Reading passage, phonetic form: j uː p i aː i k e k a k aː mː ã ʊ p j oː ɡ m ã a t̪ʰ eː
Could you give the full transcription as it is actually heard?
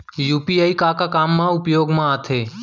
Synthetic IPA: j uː p i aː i k a k a k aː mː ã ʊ p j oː ɡ m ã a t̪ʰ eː